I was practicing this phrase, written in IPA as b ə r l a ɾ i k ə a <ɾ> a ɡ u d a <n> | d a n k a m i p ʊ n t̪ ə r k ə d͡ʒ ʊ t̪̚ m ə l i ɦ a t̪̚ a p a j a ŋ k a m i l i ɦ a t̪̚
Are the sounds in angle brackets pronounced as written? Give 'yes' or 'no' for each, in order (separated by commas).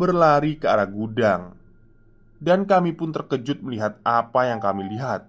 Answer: yes, no